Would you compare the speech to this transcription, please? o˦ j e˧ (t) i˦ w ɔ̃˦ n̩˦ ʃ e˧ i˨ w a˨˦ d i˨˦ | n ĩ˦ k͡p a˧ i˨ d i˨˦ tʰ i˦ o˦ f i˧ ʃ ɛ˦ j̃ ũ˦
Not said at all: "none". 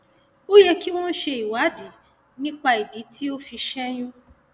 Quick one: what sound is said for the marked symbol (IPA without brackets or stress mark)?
k